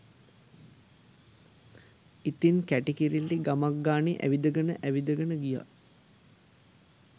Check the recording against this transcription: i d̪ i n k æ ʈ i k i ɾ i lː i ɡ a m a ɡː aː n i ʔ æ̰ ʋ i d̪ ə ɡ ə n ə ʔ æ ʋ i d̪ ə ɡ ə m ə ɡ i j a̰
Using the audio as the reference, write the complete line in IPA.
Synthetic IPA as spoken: i t̪ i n k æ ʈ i k i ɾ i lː i ɡ a m a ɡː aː n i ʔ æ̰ ʋ i d̪ ə ɡ ə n ə ʔ æ ʋ i d̪ ə ɡ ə n ə ɡ i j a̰